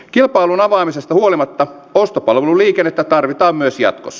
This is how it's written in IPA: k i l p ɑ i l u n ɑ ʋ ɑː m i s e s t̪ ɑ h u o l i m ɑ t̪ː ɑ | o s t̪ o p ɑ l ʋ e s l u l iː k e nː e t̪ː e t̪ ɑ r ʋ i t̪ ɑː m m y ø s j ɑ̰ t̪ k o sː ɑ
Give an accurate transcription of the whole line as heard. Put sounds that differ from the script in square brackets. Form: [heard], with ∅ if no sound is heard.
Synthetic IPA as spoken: k i l p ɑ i l u n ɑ ʋ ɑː m i s e s t̪ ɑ h u o l i m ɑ t̪ː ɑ | o s t̪ o p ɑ l ʋ e [∅] l u l iː k e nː e t̪ː [æ] t̪ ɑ r ʋ i t̪ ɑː m m y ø s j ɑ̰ t̪ k o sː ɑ